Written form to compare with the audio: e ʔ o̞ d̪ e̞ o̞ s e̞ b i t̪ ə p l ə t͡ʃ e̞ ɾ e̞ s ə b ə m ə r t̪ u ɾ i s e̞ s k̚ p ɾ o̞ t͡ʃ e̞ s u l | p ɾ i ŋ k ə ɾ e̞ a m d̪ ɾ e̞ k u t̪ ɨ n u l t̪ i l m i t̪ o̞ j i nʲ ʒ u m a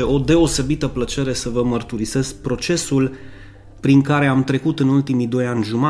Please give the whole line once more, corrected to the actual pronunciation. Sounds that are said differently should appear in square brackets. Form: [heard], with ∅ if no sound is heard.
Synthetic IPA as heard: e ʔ o̞ d̪ e̞ o̞ s e̞ b i t̪ ə p l ə t͡ʃ e̞ ɾ e̞ s ə [v] ə m ə r t̪ u ɾ i s e̞ s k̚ p ɾ o̞ t͡ʃ e̞ s u l | p ɾ i ŋ k [a] ɾ e̞ a m [t̪] ɾ e̞ k u t̪ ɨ n u l t̪ i [∅] m i [d̪] o̞ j [a] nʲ ʒ u m a